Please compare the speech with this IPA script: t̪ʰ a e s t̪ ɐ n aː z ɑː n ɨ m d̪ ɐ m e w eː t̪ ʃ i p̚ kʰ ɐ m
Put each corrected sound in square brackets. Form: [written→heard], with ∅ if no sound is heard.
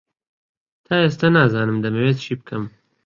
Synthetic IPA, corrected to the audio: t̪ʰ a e s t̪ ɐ n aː z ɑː n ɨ m d̪ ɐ m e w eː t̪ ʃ i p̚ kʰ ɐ m